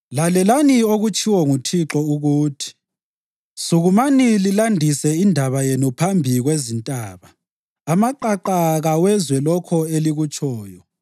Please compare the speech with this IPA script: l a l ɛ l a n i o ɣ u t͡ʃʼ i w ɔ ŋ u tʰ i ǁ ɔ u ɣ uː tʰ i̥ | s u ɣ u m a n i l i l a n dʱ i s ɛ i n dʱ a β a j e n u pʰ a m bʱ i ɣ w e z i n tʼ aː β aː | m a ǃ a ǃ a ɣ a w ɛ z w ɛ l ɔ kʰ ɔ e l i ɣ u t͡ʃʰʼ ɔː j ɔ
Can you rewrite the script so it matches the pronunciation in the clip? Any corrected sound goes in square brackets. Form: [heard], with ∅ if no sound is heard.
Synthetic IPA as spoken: l a l ɛ l a n i o ɣ u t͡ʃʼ i w ɔ ŋ u tʰ i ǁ ɔ u ɣ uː tʰ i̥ | s u ɣ u m a n i l i l a n dʱ i s ɛ i n dʱ a β a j e n u pʰ a m bʱ i ɣ w e z i n tʼ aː β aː | m a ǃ a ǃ a ɣ a w ɛ z w ɛ l ɔ kʰ ɔ e l i ɣ u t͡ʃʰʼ ɔː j ɔ